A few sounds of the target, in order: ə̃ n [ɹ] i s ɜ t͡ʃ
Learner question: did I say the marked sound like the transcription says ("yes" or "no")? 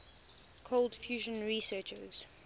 yes